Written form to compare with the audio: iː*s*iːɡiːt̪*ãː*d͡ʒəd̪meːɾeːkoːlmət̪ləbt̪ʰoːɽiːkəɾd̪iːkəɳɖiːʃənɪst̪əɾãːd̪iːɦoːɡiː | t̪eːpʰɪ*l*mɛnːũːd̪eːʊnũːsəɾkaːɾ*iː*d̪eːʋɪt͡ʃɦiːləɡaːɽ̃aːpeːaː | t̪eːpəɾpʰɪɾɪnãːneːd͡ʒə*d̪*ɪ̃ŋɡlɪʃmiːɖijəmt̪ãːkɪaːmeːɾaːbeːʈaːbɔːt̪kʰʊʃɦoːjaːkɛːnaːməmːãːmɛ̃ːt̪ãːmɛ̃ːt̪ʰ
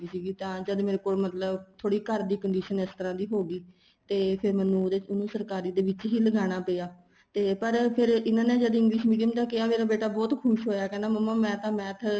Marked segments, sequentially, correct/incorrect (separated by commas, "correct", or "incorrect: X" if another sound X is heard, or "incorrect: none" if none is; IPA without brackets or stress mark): correct, correct, incorrect: ɾ, correct, correct